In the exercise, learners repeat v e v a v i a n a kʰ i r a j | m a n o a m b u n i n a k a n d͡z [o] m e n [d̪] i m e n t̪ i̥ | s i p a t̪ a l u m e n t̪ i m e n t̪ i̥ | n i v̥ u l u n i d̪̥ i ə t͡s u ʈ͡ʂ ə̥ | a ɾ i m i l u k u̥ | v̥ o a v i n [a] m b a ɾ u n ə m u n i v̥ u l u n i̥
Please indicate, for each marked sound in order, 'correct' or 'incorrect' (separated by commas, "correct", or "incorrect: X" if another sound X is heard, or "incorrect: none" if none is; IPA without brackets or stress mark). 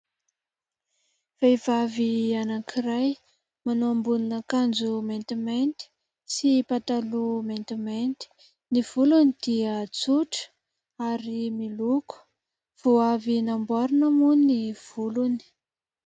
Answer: incorrect: u, incorrect: t̪, correct